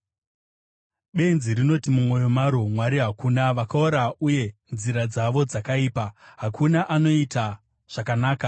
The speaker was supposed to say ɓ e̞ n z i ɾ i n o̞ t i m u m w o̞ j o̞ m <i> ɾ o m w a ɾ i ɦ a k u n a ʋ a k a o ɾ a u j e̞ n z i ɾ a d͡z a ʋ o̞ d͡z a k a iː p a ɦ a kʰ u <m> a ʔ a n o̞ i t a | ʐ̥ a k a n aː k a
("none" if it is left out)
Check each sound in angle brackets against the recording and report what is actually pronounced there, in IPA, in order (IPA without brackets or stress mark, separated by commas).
a, n